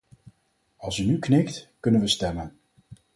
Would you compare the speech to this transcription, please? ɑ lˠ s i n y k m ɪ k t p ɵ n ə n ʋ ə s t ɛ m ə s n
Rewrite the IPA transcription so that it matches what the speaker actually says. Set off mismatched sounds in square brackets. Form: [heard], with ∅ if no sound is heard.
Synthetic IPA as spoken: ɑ lˠ s [y] n y k [n] ɪ k t [k] ɵ n ə n ʋ ə s t ɛ m ə [∅] n